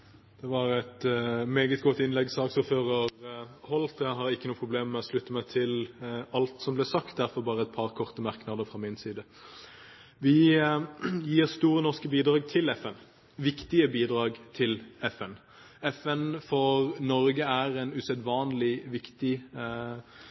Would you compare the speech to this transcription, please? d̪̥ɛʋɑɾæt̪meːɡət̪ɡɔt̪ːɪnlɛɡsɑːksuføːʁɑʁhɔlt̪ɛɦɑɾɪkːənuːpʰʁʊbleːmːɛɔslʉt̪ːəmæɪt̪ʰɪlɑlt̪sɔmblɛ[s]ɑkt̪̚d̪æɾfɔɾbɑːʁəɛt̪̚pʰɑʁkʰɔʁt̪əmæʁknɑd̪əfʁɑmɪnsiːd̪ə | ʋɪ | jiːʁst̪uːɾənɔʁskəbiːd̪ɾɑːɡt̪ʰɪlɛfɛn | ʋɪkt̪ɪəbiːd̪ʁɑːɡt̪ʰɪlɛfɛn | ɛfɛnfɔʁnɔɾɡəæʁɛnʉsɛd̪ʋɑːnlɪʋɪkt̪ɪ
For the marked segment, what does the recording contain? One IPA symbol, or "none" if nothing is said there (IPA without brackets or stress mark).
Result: s